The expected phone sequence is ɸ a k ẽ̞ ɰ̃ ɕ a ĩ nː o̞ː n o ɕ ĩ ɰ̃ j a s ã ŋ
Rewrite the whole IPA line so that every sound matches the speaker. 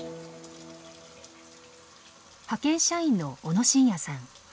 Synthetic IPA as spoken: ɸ a k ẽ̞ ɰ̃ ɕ a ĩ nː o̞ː n o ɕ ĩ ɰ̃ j a s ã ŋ